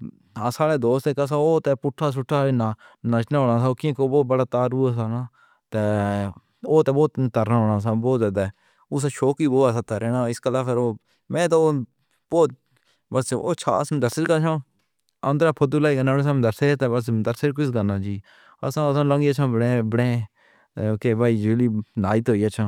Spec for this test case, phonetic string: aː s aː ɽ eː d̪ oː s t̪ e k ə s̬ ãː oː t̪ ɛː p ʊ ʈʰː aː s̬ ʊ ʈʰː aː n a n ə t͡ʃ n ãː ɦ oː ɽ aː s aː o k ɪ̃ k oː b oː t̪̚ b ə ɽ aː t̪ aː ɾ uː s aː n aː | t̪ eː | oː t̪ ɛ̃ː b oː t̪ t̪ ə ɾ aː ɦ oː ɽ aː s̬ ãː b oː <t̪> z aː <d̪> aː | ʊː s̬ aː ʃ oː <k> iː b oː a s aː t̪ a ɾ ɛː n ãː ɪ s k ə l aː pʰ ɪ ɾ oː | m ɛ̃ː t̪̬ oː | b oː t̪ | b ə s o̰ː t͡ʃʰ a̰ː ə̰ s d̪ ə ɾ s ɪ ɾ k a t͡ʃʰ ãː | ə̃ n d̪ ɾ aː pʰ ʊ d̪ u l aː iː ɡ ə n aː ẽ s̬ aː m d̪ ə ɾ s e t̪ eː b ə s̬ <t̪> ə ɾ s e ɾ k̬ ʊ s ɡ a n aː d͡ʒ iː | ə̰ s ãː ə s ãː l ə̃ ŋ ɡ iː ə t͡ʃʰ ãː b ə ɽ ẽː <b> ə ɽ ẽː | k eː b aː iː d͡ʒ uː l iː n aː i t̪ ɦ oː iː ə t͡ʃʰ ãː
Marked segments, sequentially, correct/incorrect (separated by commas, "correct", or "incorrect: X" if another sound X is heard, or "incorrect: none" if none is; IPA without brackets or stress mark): correct, correct, correct, incorrect: d̪, correct